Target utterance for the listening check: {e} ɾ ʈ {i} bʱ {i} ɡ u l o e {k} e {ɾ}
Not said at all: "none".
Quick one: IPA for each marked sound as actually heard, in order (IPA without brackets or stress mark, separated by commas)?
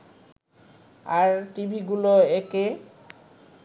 a, i, i, k, none